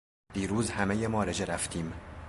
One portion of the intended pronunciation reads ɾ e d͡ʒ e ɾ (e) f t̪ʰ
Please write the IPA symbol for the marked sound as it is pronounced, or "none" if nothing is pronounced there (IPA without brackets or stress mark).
æ